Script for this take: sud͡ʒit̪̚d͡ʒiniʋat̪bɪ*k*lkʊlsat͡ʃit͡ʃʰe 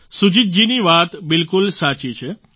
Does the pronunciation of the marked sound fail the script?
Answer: yes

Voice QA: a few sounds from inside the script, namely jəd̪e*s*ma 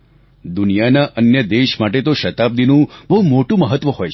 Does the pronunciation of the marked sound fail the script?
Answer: yes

